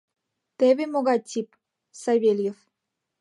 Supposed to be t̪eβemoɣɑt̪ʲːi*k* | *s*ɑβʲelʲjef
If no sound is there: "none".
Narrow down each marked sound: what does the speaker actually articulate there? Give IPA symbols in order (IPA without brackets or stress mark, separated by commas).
p, s